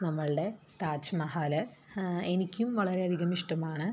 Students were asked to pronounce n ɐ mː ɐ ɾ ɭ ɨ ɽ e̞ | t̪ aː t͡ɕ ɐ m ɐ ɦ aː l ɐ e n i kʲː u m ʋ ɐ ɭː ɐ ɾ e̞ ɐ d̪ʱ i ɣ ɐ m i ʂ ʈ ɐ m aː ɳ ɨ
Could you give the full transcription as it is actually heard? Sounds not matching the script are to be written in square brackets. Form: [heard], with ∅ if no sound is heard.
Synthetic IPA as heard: n ɐ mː ɐ [∅] ɭ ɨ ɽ e̞ | t̪ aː t͡ɕ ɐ m ɐ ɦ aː l ɐ e n i kʲː u m ʋ ɐ [ɭ] ɐ ɾ e̞ ɐ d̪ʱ i ɣ ɐ m i ʂ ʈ ɐ m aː ɳ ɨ